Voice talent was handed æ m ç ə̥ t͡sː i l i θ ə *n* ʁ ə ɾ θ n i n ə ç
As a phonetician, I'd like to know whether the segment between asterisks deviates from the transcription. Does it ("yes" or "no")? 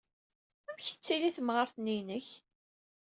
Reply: yes